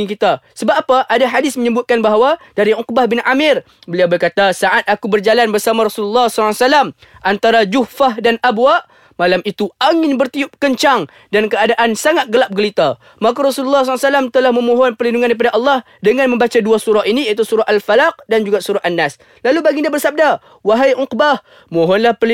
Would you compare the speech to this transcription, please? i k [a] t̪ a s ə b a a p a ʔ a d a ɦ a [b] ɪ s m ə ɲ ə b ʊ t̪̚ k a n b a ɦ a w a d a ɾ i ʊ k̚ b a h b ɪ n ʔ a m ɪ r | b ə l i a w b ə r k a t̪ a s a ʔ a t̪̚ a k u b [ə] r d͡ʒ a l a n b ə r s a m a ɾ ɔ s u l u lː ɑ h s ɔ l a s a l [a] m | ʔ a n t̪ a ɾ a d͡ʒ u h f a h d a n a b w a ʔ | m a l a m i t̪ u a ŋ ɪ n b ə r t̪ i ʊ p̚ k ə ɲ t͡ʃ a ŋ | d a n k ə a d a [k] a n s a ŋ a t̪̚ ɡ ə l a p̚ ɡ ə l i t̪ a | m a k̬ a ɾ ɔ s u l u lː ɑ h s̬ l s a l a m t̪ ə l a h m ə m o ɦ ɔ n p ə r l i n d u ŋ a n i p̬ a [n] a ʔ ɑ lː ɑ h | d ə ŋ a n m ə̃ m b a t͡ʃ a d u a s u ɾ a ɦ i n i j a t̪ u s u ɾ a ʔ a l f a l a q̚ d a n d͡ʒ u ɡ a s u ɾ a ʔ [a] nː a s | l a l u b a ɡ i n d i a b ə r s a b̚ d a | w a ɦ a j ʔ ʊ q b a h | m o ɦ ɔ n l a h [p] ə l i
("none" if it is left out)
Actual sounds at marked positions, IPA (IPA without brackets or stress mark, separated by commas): i, d, ə, a, ʔ, d, a, p